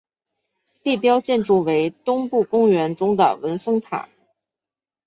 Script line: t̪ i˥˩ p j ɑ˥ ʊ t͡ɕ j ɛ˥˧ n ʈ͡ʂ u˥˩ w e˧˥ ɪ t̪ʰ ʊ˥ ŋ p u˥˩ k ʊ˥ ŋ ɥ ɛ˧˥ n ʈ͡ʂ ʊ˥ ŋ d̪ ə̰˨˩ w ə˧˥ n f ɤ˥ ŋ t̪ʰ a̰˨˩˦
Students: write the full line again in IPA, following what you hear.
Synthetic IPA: t̪ i˥˩ p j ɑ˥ ʊ t͡ɕ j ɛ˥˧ n ʈ͡ʂ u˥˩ w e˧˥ ɪ t̪ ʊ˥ ŋ p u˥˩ k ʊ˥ ŋ ɥ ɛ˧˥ n ʈ͡ʂ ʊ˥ ŋ d̪ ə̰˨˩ w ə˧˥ n f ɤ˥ ŋ t̪ʰ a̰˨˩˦